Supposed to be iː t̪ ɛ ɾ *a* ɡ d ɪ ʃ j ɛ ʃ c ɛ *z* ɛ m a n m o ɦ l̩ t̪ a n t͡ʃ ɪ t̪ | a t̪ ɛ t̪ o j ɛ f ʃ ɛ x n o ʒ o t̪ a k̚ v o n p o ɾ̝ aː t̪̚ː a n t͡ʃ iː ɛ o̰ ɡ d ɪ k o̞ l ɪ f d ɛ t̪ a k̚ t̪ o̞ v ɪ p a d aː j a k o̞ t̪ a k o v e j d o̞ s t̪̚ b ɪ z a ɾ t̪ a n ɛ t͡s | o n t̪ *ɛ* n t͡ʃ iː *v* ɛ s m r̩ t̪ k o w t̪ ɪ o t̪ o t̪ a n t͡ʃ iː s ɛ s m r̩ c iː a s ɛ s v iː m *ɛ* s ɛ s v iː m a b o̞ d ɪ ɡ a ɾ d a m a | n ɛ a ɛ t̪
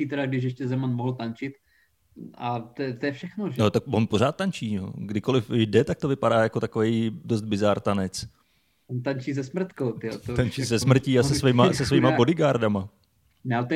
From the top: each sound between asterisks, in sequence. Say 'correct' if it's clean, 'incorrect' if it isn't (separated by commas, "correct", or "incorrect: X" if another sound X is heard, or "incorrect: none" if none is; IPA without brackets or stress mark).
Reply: correct, correct, incorrect: a, incorrect: z, incorrect: a